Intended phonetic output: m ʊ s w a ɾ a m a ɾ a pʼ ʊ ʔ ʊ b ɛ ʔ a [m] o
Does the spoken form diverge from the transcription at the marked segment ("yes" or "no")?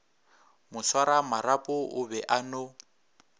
yes